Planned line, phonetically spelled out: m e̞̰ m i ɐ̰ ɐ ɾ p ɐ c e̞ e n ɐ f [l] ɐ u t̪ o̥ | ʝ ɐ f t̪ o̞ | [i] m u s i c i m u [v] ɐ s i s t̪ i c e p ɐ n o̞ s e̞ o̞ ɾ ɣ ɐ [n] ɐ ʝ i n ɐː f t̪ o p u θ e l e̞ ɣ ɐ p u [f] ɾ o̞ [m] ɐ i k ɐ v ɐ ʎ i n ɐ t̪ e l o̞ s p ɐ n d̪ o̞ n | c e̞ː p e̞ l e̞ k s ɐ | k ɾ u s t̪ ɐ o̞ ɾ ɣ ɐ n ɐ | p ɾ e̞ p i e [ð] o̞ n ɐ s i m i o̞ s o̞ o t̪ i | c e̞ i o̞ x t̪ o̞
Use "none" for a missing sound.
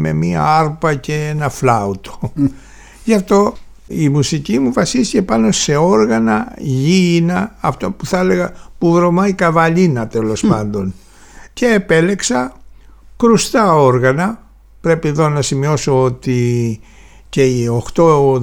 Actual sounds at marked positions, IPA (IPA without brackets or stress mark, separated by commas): l, i, v, n, v, m, ð